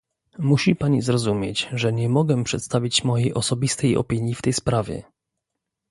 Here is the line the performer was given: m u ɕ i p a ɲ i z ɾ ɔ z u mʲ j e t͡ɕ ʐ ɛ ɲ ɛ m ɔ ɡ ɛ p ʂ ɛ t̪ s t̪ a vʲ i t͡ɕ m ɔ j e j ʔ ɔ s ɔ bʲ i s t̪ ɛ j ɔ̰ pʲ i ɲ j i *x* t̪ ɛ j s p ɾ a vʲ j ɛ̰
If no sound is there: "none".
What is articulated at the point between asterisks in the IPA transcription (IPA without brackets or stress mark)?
f